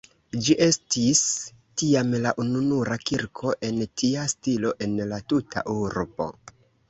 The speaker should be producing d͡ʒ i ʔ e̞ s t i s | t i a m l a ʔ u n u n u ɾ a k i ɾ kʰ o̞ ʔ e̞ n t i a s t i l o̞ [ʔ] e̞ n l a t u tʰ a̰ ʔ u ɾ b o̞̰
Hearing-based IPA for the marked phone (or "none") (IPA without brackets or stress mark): ʔ